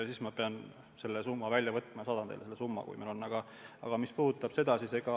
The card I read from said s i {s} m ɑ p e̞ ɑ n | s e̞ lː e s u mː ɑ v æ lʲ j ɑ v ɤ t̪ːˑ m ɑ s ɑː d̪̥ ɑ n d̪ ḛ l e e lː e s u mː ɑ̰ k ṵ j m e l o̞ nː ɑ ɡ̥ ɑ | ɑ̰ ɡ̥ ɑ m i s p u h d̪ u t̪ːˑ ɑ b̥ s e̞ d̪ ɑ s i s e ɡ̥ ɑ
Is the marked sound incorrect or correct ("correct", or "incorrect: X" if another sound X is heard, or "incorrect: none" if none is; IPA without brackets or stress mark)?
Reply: correct